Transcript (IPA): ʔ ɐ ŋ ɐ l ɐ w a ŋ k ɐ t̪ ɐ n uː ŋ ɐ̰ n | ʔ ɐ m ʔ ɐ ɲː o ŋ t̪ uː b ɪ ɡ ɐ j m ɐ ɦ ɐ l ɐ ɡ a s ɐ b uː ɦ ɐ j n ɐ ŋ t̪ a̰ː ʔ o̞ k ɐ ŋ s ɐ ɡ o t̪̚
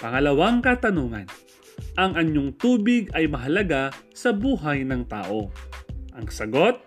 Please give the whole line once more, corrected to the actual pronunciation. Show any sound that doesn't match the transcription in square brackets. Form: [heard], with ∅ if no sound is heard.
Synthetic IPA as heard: [p] ɐ ŋ ɐ l ɐ w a ŋ k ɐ t̪ ɐ n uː ŋ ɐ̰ n | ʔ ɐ [ŋ] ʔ ɐ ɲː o ŋ t̪ uː b ɪ ɡ ɐ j m ɐ ɦ ɐ l ɐ ɡ a s ɐ b uː ɦ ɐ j n ɐ ŋ t̪ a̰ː ʔ o̞ [ʔ] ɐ ŋ s ɐ ɡ o t̪̚